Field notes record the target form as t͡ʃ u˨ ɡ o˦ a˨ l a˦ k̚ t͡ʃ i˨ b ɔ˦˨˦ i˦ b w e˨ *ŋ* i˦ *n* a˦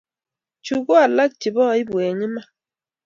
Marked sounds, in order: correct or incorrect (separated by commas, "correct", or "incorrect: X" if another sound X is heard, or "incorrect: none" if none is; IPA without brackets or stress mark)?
incorrect: ɲ, incorrect: m